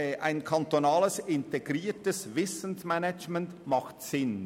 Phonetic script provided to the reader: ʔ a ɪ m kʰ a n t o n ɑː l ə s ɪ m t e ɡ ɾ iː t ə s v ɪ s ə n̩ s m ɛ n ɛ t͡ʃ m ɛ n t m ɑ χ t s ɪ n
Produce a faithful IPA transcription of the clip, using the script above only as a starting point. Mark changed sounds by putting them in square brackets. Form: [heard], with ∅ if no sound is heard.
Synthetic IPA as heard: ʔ a ɪ [n] kʰ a n t o n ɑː l ə s ɪ [n] t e ɡ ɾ iː t ə s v ɪ s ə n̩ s m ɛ n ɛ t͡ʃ m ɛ n t m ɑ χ t s ɪ n